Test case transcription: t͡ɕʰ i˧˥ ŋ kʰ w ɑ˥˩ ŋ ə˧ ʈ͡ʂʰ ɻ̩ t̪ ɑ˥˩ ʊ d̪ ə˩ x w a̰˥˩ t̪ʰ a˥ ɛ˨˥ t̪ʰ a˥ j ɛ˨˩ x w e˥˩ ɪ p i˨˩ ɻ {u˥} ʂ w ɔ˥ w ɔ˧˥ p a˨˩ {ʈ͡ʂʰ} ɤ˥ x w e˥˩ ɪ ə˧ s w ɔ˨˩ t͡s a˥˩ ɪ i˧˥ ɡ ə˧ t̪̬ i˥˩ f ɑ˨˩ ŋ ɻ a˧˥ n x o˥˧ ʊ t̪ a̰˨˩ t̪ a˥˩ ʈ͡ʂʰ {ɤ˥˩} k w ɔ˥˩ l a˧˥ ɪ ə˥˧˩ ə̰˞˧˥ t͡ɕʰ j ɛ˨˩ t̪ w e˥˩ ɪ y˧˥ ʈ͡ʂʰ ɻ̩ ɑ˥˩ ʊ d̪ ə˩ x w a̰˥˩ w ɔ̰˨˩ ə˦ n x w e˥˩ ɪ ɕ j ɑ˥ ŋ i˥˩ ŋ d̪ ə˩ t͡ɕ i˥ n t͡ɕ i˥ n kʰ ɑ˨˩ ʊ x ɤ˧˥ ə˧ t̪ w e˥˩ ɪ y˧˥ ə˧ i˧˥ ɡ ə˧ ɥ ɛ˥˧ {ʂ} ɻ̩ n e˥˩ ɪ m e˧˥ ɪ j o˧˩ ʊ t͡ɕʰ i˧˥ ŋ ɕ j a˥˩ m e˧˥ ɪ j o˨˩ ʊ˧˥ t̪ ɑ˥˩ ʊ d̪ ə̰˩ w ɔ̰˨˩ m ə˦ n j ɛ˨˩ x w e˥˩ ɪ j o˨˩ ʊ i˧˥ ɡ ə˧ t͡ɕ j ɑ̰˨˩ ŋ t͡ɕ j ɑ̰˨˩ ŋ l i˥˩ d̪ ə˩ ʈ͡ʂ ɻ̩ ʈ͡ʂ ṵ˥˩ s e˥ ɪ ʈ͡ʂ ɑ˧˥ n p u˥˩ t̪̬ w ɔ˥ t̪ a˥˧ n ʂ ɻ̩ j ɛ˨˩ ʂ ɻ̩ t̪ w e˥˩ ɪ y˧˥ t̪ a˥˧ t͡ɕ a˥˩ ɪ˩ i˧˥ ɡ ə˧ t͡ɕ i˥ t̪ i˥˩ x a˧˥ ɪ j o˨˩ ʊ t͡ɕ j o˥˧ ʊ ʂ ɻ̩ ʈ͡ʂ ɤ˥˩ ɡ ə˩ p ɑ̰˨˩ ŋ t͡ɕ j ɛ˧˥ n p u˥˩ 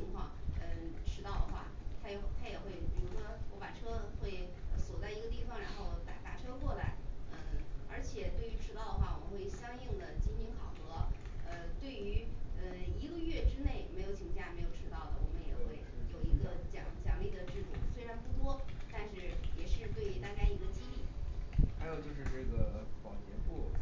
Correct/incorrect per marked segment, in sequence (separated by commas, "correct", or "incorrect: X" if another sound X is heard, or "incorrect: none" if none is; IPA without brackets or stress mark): incorrect: u˧˥, correct, incorrect: ɤ˥, incorrect: ʈ͡ʂ